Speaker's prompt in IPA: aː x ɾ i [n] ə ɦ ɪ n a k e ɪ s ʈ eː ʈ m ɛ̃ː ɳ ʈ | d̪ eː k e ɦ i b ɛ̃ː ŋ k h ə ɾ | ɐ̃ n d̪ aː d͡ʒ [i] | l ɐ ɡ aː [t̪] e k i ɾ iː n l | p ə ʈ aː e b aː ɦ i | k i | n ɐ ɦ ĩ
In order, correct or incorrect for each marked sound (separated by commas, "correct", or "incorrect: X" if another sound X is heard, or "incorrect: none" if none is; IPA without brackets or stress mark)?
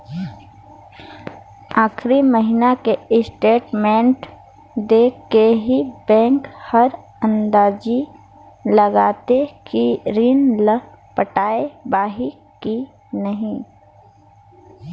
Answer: incorrect: m, correct, correct